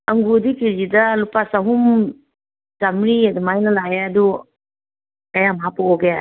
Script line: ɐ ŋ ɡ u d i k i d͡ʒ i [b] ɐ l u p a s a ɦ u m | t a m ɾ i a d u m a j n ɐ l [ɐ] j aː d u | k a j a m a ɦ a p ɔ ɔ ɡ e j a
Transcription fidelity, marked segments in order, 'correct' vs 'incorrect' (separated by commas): incorrect, incorrect